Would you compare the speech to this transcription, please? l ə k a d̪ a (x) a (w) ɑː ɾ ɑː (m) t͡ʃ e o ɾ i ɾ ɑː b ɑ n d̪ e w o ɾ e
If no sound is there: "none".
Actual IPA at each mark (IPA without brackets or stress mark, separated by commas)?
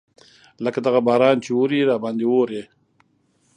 ɣ, b, n